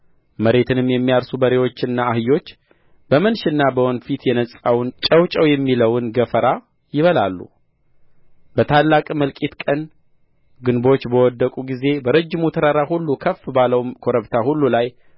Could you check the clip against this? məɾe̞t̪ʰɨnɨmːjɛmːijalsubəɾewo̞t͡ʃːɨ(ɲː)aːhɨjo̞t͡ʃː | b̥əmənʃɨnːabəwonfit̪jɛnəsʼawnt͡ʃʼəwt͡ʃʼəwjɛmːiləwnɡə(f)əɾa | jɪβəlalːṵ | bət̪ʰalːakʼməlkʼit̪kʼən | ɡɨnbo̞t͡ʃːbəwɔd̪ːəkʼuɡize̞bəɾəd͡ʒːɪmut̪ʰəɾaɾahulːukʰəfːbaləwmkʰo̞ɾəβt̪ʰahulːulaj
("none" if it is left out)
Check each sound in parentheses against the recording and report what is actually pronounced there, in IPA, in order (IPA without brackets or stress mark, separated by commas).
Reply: nː, f